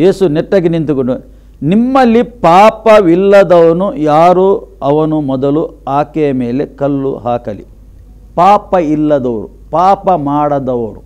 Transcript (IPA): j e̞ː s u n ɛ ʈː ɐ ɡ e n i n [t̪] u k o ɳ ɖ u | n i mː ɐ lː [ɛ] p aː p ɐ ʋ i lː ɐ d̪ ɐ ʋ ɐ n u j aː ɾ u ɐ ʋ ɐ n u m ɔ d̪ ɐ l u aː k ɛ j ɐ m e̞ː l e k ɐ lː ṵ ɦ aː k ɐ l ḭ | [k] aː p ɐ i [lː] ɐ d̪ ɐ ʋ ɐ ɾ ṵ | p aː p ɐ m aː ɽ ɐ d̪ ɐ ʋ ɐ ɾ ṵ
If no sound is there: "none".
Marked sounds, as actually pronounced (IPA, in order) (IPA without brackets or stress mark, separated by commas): t̪, i, p, lː